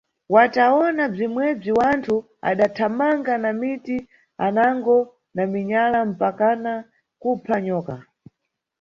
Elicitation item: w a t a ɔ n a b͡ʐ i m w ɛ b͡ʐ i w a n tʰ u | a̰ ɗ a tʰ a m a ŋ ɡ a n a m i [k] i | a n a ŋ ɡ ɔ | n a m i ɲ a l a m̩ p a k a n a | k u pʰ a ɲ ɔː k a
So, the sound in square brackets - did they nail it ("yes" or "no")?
no